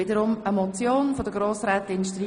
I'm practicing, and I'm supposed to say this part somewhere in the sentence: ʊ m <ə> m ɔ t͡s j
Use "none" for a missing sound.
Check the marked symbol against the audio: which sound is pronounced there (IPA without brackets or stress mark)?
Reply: ə